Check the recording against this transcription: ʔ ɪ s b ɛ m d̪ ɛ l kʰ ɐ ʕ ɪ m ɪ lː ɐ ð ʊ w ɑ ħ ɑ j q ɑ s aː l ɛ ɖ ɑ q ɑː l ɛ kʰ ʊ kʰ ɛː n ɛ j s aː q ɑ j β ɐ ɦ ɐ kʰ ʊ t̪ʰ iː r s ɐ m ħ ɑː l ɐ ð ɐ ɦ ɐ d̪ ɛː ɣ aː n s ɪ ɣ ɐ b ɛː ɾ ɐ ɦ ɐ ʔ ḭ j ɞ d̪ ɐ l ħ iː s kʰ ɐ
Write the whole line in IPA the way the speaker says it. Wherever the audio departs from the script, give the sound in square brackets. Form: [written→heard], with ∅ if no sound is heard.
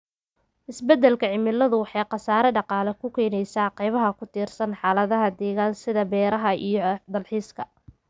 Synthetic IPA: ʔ ɪ s b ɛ [m→∅] d̪ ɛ l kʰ ɐ ʕ ɪ m ɪ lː ɐ ð ʊ w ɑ ħ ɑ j q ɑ s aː [l→ɾ] ɛ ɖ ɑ q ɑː l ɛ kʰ ʊ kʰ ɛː n ɛ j s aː q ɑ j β ɐ ɦ ɐ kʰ ʊ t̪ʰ iː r s ɐ [m→n] ħ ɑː l ɐ ð ɐ ɦ ɐ d̪ ɛː ɣ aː n s ɪ [ɣ→ð] ɐ b ɛː ɾ ɐ ɦ ɐ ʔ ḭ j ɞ d̪ ɐ l ħ iː s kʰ ɐ